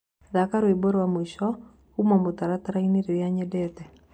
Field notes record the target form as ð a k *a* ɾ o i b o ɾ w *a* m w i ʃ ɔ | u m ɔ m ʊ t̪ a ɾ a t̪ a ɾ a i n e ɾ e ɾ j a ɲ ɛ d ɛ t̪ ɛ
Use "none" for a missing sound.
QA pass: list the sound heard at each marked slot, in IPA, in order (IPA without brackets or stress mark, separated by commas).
a, a